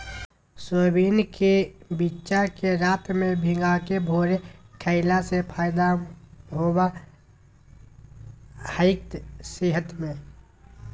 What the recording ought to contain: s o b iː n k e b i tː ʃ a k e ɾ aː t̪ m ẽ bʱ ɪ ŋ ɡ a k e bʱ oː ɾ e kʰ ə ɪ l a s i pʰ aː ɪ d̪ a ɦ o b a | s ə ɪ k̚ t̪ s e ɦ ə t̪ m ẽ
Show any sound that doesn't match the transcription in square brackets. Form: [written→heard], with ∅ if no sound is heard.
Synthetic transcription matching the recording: s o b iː n k e b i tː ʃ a k e ɾ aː t̪ m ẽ bʱ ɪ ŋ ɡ a k e bʱ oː ɾ e kʰ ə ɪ l a s [i→e] pʰ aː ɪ d̪ a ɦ o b a | [s→h] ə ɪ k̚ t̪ s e ɦ ə t̪ m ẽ